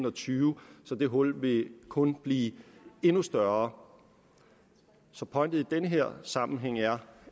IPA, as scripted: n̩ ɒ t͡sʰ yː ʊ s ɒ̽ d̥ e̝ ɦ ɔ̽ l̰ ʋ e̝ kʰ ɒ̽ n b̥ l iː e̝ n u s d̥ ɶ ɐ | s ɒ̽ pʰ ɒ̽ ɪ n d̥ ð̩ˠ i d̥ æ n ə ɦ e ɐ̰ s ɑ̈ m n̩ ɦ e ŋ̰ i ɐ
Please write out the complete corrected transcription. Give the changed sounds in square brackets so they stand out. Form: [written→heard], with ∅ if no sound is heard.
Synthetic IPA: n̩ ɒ t͡sʰ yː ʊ s ɒ̽ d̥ e̝ ɦ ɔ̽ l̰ ʋ e̝ kʰ [ɒ̽→ɔ̽] n b̥ l iː e̝ n u s d̥ ɶ ɐ | s ɒ̽ pʰ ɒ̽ ɪ n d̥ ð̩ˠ i d̥ [æ→e] n ə ɦ e ɐ̰ s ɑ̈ m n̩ ɦ e ŋ̰ [i→æ] ɐ